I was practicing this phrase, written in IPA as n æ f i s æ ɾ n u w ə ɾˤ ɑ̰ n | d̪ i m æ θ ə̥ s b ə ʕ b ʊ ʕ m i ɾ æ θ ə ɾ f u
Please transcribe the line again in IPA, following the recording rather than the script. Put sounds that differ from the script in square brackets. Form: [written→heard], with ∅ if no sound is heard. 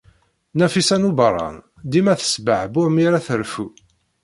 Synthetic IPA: n æ f i s æ [ɾ→∅] n u [w→b] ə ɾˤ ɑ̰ n | d̪ i m æ θ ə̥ s b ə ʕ b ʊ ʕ m i ɾ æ θ ə ɾ f u